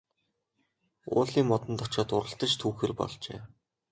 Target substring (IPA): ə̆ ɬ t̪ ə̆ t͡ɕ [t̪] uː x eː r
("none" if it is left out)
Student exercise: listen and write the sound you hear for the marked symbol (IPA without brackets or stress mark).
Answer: t̪ʰ